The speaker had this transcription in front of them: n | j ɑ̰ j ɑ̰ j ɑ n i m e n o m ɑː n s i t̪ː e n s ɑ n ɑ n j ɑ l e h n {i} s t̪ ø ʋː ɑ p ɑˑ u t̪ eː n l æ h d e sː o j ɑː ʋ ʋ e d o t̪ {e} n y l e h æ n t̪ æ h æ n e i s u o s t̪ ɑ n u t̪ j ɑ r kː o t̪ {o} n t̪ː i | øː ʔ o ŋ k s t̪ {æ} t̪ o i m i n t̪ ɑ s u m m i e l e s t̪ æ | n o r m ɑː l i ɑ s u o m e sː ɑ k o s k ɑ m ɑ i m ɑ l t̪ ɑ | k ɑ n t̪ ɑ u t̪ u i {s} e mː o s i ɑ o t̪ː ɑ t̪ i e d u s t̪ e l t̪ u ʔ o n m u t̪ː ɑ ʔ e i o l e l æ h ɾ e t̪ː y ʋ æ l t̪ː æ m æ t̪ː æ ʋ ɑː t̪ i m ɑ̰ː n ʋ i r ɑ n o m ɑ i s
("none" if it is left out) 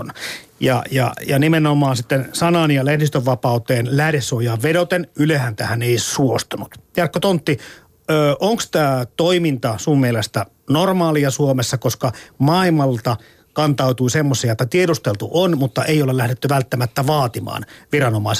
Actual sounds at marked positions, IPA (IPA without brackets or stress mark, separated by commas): i, e, o, æː, s